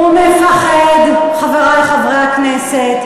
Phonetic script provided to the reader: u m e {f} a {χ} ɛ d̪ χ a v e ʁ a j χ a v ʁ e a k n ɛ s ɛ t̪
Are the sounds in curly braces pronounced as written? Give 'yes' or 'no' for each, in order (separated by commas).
yes, yes